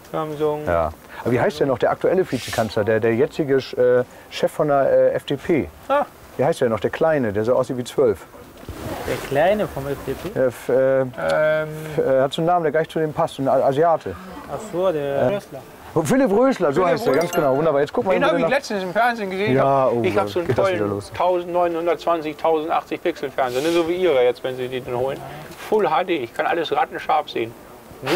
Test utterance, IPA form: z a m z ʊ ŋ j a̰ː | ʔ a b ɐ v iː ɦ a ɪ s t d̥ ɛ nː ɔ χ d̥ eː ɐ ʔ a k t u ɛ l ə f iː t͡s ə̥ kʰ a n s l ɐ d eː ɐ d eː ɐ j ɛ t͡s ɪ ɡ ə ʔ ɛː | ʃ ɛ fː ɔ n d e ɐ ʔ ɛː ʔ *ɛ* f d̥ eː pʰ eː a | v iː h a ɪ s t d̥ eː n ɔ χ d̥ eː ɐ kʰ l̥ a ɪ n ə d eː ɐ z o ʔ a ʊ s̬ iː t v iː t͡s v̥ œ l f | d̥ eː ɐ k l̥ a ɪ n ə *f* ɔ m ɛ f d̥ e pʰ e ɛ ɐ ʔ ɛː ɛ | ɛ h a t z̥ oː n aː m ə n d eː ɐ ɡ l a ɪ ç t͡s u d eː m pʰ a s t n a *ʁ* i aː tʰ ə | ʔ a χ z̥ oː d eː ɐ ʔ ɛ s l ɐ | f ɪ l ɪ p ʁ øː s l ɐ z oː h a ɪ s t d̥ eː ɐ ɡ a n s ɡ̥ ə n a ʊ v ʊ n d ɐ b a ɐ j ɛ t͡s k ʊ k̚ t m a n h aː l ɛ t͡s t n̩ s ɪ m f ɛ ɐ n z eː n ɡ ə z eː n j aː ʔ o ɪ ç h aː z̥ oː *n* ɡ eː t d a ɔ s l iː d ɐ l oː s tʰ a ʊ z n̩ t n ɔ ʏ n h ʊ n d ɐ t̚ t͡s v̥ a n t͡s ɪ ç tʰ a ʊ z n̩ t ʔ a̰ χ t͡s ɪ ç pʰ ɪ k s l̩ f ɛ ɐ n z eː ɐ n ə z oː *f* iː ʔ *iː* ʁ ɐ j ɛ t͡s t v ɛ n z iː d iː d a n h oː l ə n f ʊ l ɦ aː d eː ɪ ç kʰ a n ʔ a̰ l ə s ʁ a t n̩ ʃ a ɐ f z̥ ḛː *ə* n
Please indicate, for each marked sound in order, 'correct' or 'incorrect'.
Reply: correct, correct, incorrect: z, correct, incorrect: v, correct, correct

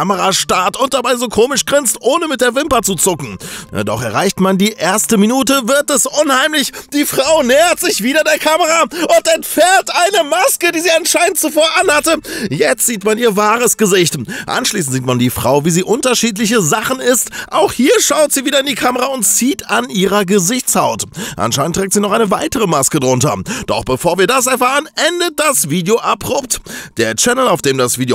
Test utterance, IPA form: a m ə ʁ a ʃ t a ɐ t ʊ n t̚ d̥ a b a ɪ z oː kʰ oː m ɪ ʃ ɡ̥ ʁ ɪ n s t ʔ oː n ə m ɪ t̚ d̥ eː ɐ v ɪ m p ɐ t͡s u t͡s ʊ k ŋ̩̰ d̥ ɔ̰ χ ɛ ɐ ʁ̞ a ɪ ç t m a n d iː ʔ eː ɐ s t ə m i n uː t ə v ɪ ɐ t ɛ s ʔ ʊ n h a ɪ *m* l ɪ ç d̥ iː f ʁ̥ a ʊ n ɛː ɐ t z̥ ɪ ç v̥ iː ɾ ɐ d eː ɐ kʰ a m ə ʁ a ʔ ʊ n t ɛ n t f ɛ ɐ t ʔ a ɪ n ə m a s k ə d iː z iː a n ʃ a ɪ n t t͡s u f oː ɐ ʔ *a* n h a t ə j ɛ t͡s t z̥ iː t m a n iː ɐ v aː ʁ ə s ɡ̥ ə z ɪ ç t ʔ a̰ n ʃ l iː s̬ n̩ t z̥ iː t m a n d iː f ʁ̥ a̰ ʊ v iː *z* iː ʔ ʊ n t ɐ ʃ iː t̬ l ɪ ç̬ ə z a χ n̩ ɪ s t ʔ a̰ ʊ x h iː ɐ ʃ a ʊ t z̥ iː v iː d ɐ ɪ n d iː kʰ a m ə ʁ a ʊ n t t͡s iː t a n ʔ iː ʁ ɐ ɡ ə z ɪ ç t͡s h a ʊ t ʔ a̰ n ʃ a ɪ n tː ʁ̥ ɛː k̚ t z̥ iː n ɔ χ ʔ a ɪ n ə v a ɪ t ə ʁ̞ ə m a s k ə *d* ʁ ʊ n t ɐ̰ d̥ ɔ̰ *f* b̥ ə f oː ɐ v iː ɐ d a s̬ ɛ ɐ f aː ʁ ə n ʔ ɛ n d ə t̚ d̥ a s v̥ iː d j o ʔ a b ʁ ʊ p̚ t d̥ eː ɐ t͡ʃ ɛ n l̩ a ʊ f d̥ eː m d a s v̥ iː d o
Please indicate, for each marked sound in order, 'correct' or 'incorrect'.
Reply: correct, correct, correct, correct, incorrect: χ

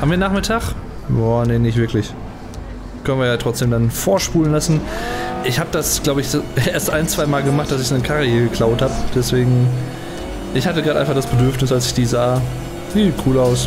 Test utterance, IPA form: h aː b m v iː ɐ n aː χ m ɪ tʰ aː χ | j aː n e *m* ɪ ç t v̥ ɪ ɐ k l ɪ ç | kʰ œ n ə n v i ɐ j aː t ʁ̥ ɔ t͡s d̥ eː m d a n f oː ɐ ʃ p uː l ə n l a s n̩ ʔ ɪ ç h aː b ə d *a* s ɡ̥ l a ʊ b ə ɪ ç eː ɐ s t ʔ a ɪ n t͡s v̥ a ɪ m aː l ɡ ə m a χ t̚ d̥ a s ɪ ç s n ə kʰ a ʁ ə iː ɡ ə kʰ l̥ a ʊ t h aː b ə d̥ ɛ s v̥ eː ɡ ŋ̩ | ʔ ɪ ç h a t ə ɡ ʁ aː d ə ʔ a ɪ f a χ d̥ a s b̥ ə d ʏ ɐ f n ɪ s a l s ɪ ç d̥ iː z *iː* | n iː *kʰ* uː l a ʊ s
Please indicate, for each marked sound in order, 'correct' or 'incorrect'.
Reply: incorrect: n, correct, incorrect: aː, correct

